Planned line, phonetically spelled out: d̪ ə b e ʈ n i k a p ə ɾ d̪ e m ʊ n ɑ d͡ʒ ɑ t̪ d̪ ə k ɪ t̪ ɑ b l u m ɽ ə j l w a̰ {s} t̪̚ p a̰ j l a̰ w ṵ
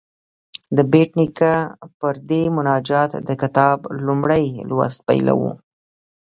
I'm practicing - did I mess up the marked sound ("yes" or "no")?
no